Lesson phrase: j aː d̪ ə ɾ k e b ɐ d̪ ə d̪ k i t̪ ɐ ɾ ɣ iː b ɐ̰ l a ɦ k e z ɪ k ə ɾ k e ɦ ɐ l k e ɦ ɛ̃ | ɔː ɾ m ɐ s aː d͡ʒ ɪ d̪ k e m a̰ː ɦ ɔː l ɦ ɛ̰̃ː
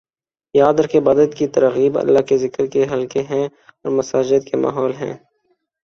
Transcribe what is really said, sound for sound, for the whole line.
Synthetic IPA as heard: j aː d̪ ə ɾ k e b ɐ d̪ ə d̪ k i t̪ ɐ ɾ ɣ iː b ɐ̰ lː a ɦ k e z ɪ k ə ɾ k e ɦ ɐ l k e ɦ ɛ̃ | ɔː ɾ m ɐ s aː d͡ʒ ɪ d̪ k e m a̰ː ɦ ɔː l ɦ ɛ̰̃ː